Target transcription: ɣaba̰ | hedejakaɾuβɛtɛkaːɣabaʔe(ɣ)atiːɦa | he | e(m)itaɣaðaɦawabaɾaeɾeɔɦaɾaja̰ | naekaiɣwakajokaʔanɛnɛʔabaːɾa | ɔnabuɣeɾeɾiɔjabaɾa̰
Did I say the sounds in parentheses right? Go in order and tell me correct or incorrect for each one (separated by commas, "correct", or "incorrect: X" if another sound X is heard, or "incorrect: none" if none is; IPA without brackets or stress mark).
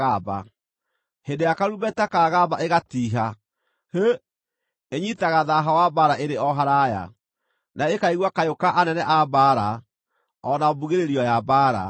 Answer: correct, incorrect: ɲ